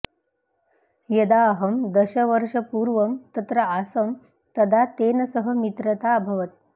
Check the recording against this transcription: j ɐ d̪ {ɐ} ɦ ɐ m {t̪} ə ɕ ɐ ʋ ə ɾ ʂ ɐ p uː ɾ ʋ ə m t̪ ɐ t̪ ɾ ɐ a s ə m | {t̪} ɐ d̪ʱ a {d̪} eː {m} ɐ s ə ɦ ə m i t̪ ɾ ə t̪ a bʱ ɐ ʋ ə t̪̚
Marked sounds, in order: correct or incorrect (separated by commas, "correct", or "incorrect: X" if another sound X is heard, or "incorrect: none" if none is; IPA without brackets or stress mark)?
incorrect: a, incorrect: d̪, correct, incorrect: t̪, incorrect: n